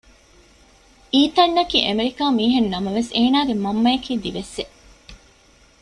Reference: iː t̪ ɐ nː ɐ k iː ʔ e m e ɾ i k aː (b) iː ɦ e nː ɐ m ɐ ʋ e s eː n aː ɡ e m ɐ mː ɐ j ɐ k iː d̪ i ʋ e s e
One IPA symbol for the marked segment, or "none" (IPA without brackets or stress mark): m